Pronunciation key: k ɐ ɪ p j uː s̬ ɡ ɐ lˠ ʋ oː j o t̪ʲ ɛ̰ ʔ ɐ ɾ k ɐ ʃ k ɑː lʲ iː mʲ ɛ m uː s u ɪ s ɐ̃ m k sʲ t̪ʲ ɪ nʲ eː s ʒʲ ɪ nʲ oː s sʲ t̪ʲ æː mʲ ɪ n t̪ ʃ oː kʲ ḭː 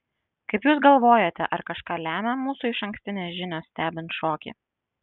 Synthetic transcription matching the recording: k ɐ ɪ p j uː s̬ ɡ ɐ lˠ ʋ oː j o t̪ʲ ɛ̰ ʔ ɐ ɾ k ɐ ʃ k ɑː lʲ æː mʲ ɛ m uː s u ɪ ʃ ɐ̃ ŋ k sʲ t̪ʲ ɪ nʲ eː s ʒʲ ɪ nʲ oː s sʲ t̪ʲ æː bʲ ɪ n t̪ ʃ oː kʲ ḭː